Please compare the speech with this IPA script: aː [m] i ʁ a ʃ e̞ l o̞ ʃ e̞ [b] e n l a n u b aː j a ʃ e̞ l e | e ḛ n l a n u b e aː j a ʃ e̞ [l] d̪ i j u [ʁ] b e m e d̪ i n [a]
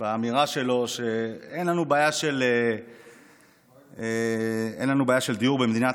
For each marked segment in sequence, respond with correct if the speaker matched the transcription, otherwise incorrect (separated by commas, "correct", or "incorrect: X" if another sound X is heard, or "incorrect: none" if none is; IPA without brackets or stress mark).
correct, incorrect: none, correct, correct, correct